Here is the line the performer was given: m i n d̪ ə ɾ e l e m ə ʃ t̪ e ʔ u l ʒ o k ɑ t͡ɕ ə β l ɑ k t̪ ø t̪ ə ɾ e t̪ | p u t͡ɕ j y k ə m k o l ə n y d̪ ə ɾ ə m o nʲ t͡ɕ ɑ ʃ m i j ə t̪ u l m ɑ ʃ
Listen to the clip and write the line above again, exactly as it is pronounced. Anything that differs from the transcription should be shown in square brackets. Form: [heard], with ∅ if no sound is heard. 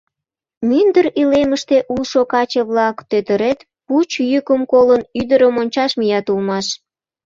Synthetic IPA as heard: m [y] n d̪ ə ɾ [i] l e m ə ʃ t̪ e ʔ u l [ʃ] o k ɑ t͡ɕ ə β l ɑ k t̪ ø t̪ ə ɾ e t̪ | p u t͡ɕ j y k ə m k o l ə n y d̪ ə ɾ ə m o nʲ t͡ɕ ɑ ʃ m i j [ɑ] t̪ u l m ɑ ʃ

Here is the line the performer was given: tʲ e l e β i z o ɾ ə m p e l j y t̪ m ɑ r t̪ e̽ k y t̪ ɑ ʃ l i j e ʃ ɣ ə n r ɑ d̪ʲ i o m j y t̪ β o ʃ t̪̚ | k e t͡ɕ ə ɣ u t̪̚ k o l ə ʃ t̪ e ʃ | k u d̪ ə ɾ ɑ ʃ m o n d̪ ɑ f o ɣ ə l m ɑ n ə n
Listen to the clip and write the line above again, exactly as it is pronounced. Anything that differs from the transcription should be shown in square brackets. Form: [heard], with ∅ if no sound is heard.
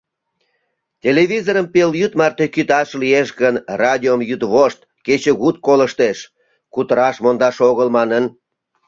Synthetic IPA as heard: tʲ e l e β i z o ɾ ə m p e l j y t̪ m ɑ r t̪ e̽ k y t̪ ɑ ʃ l i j e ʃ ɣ ə n r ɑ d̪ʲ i o m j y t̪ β o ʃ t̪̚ | k e t͡ɕ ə ɣ u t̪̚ k o l ə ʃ t̪ e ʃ | k u [t̪] ə ɾ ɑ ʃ m o n d̪ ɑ [ʃ] o ɣ ə l m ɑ n ə n

